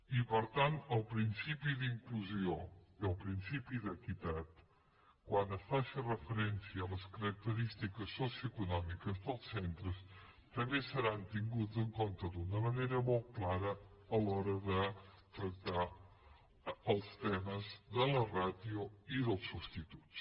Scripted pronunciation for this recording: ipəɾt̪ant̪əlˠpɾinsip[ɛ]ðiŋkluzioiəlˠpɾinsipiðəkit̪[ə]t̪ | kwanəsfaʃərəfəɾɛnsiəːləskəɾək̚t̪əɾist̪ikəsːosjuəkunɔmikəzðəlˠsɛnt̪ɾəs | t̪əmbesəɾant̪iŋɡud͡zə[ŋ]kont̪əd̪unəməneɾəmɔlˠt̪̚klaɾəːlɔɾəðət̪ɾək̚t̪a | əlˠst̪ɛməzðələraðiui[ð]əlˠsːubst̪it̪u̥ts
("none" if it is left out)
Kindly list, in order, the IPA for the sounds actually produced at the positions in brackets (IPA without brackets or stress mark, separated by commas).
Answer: i, a, ŋ, ð